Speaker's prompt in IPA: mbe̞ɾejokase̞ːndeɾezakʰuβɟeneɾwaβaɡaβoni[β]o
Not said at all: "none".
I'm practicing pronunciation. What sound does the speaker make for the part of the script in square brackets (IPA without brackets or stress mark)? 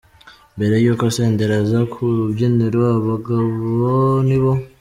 β